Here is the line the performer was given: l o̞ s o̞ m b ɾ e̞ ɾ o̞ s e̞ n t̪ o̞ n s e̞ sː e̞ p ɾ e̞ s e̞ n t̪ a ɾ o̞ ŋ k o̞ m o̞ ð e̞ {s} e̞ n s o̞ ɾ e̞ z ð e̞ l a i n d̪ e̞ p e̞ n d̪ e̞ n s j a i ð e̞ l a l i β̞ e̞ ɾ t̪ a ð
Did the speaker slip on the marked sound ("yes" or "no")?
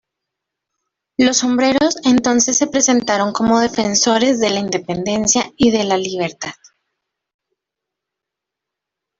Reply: yes